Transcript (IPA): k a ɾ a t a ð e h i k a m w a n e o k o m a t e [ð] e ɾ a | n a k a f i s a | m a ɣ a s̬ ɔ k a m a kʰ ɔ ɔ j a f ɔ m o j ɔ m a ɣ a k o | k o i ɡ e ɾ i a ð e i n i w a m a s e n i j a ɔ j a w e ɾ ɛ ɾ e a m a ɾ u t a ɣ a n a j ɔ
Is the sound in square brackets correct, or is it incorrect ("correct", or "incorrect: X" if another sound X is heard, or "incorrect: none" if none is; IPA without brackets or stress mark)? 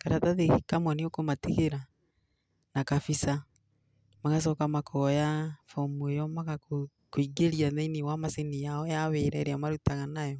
incorrect: ɣ